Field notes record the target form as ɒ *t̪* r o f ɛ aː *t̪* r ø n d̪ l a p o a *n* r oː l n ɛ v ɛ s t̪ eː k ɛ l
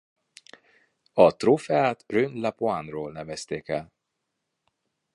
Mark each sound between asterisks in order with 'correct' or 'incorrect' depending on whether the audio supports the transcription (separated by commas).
correct, correct, correct